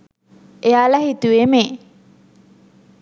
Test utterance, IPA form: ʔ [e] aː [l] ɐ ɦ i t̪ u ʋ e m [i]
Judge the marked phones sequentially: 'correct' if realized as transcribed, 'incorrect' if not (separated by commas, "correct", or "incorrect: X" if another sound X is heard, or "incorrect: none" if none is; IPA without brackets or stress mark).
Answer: correct, correct, incorrect: e